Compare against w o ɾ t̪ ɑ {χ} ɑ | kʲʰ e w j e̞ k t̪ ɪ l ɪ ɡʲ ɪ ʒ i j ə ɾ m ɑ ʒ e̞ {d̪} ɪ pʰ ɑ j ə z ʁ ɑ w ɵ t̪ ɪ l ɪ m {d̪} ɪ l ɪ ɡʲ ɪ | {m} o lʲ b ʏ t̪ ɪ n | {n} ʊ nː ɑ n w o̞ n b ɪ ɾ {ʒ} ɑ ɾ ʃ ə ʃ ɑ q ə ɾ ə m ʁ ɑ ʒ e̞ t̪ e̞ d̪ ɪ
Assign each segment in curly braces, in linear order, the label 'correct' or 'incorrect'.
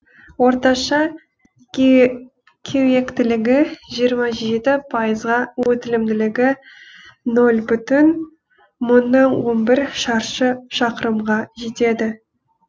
incorrect: ʃ, incorrect: t̪, correct, incorrect: n, incorrect: m, incorrect: ʃ

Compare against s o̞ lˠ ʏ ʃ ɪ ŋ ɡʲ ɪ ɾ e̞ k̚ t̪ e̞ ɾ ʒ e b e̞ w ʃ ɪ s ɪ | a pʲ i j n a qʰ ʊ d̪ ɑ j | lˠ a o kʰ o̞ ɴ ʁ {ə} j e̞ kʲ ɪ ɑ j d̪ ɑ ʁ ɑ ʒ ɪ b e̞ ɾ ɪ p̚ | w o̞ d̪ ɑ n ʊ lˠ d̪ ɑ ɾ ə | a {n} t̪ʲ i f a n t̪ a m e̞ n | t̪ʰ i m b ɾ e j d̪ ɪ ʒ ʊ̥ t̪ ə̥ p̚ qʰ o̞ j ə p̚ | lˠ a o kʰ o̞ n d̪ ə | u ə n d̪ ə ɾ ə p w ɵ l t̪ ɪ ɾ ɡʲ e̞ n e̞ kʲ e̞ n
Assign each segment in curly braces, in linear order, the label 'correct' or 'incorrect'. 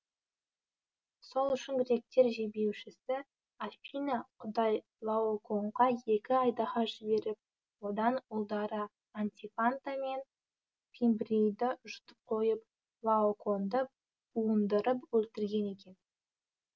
incorrect: ɑ, correct

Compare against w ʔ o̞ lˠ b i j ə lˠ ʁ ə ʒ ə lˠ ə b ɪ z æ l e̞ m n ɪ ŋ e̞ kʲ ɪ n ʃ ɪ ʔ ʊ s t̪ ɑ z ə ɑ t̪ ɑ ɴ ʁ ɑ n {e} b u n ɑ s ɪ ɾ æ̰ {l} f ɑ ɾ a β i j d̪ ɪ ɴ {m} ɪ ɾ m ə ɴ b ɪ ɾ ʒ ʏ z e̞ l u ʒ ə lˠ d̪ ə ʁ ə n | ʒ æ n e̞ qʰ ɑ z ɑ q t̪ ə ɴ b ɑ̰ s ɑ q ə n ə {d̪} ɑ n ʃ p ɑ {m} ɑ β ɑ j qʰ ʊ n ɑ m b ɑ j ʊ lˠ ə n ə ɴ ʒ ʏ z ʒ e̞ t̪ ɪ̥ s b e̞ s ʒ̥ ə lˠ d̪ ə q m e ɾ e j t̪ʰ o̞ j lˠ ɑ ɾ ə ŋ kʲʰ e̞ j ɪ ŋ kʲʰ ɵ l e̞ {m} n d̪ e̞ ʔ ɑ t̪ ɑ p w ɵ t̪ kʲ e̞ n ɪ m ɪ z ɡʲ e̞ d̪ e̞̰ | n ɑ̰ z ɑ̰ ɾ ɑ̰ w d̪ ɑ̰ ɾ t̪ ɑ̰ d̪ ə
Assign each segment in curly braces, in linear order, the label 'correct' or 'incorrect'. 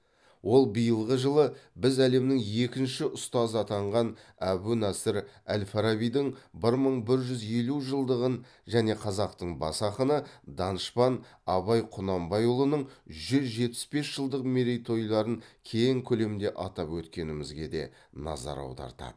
incorrect: æ, correct, incorrect: b, correct, incorrect: n, correct

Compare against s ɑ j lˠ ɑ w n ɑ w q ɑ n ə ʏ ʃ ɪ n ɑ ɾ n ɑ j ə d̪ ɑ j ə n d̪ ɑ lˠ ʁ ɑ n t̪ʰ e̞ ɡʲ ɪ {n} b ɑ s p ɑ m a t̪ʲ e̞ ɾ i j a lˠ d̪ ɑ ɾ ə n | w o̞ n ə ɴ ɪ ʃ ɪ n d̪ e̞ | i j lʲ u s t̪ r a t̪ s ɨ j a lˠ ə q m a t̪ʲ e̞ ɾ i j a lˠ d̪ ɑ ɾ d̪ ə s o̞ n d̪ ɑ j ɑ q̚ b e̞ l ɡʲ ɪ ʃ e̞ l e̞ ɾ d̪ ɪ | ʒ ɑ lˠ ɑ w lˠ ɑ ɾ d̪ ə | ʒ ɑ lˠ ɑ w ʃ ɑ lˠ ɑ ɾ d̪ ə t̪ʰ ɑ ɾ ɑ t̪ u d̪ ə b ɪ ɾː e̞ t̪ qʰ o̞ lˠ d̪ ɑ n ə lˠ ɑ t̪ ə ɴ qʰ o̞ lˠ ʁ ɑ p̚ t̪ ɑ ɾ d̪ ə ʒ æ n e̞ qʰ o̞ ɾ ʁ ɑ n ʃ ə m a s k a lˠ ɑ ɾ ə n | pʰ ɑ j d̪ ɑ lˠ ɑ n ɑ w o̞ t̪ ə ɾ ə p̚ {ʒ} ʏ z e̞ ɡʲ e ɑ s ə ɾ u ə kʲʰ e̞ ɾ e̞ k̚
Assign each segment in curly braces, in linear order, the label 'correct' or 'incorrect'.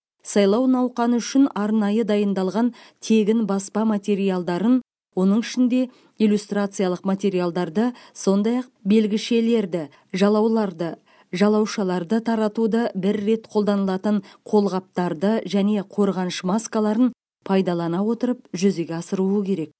correct, correct

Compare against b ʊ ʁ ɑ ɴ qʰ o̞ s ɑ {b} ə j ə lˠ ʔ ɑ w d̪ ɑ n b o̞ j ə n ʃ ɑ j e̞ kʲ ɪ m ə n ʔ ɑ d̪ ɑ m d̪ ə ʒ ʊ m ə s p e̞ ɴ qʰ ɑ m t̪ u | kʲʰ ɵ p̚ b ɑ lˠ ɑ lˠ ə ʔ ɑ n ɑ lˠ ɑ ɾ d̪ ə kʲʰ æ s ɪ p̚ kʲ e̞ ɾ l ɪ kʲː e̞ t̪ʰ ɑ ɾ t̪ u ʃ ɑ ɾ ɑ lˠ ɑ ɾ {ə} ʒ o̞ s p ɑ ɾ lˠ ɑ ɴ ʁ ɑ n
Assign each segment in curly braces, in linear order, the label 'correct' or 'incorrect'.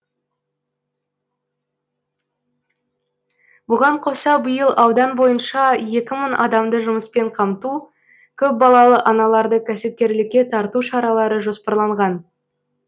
correct, correct

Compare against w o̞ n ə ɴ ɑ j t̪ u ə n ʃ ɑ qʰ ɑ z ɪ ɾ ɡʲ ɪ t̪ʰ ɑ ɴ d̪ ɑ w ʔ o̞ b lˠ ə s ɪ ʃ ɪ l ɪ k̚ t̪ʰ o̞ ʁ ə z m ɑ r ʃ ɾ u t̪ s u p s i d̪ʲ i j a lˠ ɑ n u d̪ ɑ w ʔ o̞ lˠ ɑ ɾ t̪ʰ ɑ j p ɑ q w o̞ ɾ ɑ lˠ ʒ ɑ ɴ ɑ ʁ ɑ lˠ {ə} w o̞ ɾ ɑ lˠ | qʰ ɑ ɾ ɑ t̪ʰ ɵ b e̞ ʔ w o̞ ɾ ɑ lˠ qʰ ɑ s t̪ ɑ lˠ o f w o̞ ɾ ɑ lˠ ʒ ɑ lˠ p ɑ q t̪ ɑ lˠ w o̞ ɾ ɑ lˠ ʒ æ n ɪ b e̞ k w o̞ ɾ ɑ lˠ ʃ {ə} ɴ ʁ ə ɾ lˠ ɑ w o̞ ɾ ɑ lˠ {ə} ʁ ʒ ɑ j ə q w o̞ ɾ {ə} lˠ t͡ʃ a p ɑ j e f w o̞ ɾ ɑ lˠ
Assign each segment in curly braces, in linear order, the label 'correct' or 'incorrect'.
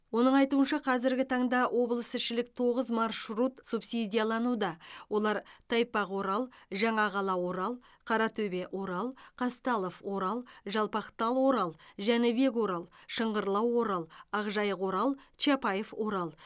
incorrect: ɑ, correct, incorrect: ɑ, incorrect: ɑ

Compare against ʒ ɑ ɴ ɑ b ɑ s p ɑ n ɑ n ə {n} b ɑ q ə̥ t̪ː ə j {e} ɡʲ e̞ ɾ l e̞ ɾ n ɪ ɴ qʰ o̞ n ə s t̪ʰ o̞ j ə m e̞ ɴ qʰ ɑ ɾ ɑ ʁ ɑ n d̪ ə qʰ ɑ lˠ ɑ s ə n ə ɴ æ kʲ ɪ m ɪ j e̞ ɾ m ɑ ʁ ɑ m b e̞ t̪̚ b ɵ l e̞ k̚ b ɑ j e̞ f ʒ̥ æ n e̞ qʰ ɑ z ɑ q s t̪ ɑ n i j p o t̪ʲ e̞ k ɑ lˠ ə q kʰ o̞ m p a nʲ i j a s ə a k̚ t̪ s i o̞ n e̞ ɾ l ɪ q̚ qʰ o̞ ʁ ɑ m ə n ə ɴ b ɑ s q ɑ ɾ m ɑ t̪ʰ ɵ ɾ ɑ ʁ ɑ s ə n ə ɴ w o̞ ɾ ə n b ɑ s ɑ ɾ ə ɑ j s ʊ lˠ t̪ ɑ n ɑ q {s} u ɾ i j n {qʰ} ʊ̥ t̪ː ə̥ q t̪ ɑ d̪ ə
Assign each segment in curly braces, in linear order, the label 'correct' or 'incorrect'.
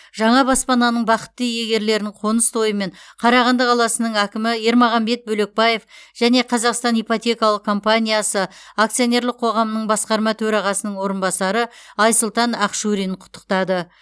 incorrect: ɴ, correct, incorrect: ʃ, correct

